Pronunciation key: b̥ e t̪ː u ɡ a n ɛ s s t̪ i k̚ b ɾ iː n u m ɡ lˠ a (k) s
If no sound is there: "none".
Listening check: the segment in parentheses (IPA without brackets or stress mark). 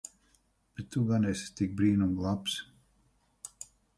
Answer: p